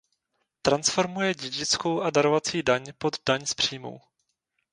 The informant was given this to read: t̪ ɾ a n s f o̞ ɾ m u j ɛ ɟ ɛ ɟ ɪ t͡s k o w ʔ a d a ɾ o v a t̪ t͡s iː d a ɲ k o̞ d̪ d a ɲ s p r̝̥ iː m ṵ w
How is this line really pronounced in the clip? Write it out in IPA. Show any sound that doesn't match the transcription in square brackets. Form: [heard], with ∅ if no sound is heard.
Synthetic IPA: t̪ ɾ a n s f o̞ ɾ m u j ɛ ɟ ɛ ɟ ɪ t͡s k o w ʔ a d a ɾ o v a [∅] t͡s iː d a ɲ [p] o̞ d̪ d a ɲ s p r̝̥ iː m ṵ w